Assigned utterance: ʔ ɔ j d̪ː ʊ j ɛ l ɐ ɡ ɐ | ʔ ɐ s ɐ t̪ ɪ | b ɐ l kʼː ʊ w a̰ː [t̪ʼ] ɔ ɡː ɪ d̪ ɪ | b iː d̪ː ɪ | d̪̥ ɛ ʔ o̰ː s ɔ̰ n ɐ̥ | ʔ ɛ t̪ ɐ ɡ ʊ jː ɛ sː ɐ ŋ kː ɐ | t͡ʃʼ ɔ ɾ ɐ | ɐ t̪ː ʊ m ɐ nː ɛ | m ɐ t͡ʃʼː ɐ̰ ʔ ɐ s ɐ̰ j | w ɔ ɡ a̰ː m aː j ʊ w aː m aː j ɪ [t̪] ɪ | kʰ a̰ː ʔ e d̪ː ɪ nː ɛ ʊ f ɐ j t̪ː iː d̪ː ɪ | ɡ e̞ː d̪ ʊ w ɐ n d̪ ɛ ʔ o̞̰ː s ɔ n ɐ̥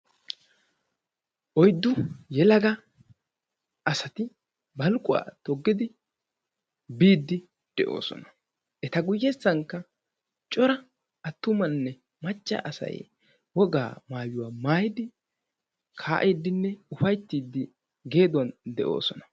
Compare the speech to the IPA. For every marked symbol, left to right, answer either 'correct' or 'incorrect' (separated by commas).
incorrect, incorrect